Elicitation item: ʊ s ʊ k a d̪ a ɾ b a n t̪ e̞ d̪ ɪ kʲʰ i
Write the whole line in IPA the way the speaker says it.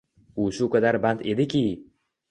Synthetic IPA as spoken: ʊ ʃ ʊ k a d̪ a ɾ b a n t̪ e̞ d̪ ɪ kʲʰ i